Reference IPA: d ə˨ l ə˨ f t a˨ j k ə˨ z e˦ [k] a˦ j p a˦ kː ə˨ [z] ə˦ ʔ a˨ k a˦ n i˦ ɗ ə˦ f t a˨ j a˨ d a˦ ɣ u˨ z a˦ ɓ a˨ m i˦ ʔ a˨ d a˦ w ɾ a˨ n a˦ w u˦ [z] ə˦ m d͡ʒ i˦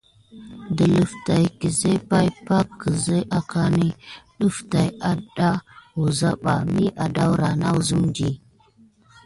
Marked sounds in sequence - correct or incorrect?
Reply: incorrect: p, correct, correct

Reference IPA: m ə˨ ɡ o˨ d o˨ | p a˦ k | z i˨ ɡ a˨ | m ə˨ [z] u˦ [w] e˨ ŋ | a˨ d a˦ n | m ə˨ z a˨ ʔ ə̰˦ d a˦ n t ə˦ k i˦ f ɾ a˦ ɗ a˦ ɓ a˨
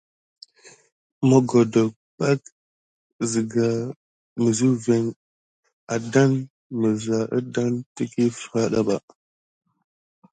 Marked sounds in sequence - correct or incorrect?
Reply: correct, incorrect: v

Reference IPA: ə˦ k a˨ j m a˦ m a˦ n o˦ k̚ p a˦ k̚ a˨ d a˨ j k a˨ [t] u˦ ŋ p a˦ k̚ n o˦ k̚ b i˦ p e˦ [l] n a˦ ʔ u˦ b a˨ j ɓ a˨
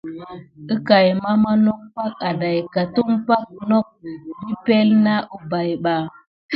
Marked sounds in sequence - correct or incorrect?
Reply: correct, correct

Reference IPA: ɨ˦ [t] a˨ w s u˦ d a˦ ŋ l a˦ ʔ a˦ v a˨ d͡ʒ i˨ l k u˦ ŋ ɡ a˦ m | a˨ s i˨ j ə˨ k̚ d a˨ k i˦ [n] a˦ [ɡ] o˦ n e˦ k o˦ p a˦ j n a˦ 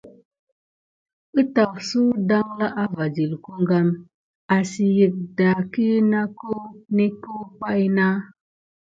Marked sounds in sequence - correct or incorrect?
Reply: correct, correct, incorrect: k

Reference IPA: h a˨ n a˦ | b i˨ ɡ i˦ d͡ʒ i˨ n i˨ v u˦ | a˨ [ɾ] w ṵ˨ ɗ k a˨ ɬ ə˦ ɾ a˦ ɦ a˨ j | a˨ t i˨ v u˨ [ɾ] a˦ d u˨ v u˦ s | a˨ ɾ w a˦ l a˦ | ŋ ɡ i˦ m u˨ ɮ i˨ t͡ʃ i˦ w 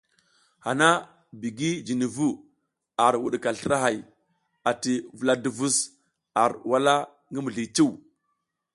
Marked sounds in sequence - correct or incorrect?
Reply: correct, incorrect: l

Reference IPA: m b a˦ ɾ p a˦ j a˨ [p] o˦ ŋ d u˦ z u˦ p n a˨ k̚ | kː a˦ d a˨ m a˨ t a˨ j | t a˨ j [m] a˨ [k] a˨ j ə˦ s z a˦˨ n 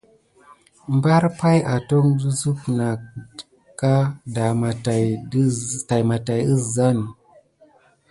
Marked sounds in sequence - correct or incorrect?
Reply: incorrect: t, correct, incorrect: t

